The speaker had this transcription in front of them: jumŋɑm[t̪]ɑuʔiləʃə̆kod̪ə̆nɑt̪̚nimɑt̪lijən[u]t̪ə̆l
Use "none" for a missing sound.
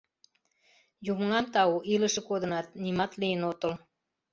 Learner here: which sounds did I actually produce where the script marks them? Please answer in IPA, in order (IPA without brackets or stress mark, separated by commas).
t̪, o